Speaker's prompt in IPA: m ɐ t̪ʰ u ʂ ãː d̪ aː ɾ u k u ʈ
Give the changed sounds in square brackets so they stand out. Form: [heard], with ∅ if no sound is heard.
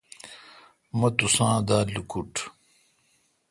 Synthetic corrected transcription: m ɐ [t̪] u [s] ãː d̪ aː [l] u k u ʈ